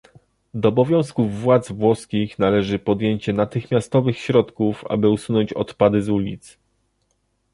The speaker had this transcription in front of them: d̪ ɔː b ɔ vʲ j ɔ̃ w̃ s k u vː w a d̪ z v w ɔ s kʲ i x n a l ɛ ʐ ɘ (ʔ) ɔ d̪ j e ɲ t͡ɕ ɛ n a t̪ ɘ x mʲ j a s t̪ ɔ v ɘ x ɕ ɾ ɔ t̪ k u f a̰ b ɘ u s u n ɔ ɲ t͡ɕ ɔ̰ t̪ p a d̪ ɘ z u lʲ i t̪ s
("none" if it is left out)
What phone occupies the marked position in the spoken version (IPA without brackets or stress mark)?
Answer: p